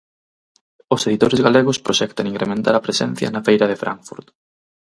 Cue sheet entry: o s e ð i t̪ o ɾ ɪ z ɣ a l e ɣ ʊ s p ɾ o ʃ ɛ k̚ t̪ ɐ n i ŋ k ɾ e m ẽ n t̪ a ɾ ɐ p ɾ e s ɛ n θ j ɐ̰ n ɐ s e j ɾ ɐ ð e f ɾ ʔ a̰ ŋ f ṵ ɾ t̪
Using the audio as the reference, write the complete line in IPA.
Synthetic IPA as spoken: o s e ð i t̪ o ɾ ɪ z ɣ a l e ɣ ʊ s p ɾ o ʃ ɛ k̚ t̪ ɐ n i ŋ k ɾ e m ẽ n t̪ a ɾ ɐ p ɾ e s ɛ n θ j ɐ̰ n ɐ f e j ɾ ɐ ð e f ɾ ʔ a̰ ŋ f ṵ ɾ t̪